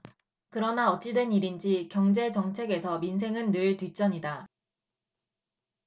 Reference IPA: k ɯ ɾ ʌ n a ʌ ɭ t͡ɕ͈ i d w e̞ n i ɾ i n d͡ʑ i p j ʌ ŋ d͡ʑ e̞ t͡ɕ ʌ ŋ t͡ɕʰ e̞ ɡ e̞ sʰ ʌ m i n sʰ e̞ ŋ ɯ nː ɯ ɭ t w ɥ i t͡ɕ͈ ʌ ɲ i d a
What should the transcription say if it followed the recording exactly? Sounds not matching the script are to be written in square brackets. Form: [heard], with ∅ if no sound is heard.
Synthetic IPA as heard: k ɯ ɾ ʌ n a ʌ [∅] t͡ɕ͈ i d w e̞ n i ɾ i n d͡ʑ i [k] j ʌ ŋ d͡ʑ e̞ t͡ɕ ʌ ŋ t͡ɕʰ e̞ ɡ e̞ sʰ ʌ m i n sʰ e̞ ŋ ɯ nː ɯ ɭ t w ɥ i t͡ɕ͈ ʌ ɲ i d a